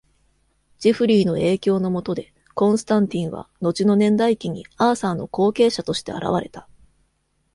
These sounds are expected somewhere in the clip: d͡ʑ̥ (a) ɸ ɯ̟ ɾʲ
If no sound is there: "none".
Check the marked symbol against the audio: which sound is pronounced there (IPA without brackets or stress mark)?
i